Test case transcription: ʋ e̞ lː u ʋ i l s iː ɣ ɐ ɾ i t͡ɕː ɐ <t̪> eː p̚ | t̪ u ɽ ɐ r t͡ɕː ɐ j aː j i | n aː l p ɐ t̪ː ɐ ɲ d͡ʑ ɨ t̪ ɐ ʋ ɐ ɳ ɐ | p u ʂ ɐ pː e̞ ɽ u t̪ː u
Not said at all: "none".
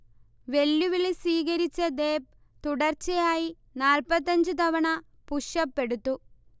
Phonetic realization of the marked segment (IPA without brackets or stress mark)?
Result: d̪